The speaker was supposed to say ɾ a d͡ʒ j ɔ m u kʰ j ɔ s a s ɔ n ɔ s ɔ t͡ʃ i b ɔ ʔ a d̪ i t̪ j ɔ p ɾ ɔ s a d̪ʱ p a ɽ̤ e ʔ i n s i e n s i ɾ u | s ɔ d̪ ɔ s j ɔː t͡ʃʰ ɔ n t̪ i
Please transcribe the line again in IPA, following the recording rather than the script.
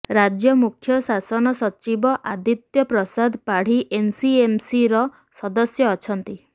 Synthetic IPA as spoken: ɾ a d͡ʒ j ɔ m u kʰ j ɔ s a s ɔ n ɔ s ɔ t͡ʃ i b ɔ ʔ a d̪ i t̪ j ɔ p ɾ ɔ s a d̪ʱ p a ɽ̤ i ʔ e n s i e m s i ɾ ɔ | s ɔ d̪ ɔ s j ɔː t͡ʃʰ ɔ n t̪ i